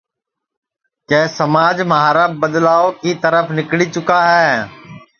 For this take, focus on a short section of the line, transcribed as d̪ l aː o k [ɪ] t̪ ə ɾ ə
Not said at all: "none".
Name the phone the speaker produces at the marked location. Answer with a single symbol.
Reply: i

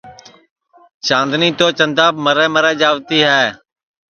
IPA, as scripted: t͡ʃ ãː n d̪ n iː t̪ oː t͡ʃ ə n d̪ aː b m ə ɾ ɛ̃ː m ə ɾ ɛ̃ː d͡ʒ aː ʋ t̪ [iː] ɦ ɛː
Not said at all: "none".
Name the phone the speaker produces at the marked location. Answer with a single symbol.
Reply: iː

